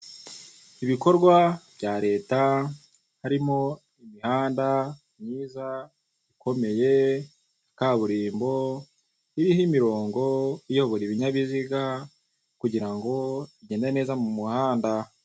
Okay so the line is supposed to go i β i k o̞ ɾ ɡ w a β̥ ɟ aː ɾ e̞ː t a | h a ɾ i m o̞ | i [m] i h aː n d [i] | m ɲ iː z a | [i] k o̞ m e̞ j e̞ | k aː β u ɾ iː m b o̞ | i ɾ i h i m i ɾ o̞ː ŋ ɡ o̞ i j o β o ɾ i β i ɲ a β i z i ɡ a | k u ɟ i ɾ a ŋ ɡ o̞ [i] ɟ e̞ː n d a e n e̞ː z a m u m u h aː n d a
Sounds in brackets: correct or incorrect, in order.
correct, incorrect: a, correct, correct

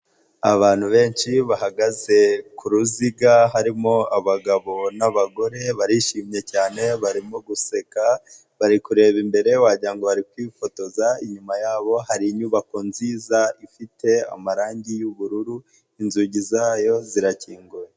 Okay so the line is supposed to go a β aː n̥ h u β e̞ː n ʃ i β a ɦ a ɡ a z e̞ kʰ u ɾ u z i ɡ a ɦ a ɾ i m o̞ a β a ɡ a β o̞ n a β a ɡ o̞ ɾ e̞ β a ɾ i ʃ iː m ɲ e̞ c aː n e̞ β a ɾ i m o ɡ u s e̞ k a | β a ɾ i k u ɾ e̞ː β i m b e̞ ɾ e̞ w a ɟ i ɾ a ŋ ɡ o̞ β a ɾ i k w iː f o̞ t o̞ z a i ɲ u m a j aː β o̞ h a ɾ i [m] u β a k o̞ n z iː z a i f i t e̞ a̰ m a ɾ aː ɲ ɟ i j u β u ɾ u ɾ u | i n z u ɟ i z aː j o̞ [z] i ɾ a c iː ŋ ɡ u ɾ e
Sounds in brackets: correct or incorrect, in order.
incorrect: ɲ, correct

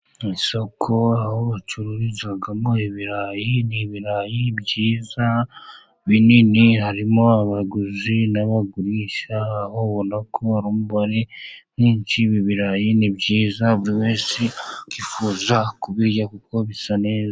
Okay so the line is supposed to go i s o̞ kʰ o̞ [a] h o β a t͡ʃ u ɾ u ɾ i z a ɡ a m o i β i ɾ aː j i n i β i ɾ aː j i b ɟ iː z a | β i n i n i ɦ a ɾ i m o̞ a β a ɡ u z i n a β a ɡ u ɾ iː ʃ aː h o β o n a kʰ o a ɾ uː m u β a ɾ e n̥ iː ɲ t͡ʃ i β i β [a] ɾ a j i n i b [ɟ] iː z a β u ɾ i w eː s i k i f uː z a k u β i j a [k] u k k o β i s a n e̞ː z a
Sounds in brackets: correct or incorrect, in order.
correct, incorrect: i, correct, correct

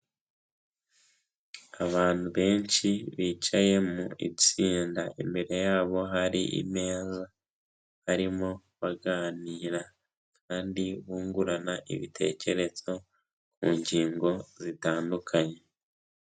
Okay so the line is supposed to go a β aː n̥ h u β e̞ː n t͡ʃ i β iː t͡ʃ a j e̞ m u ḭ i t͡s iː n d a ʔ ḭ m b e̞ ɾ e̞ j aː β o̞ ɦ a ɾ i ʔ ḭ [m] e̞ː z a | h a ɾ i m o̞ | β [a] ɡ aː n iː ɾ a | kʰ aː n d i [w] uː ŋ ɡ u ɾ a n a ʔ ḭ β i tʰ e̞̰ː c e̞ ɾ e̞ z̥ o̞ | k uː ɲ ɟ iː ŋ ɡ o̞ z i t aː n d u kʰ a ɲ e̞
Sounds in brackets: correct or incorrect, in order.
correct, correct, incorrect: β

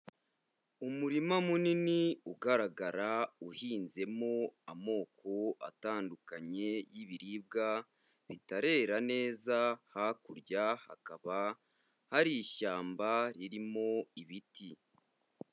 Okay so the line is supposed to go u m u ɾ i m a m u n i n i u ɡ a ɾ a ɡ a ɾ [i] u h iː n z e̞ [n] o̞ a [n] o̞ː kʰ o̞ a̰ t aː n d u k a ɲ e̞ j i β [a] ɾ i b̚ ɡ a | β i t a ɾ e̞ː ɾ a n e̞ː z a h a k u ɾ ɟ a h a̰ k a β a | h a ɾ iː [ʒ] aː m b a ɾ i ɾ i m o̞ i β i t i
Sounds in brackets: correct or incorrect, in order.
incorrect: a, incorrect: m, incorrect: m, incorrect: i, incorrect: ʃ

